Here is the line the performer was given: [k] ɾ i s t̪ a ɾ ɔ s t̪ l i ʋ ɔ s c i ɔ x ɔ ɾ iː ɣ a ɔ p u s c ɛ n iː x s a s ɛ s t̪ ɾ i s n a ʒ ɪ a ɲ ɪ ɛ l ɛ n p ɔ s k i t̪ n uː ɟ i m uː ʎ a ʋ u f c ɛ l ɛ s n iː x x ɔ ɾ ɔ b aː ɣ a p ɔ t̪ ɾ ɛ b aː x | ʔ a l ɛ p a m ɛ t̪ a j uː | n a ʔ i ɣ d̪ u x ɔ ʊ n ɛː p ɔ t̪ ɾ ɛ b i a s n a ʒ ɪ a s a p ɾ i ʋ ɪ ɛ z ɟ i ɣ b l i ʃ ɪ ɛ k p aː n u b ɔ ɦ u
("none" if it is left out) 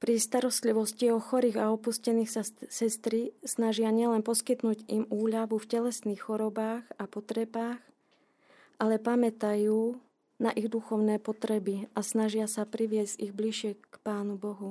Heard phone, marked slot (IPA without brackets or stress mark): p